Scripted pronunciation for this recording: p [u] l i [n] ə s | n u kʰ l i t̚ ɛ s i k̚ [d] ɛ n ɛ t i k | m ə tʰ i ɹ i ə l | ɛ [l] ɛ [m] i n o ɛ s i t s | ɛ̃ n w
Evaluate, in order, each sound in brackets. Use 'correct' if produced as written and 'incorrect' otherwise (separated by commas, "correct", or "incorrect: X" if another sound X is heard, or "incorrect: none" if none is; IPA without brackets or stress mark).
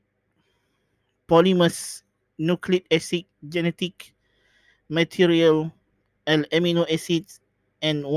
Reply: incorrect: ɔ, incorrect: m, incorrect: d͡ʒ, correct, correct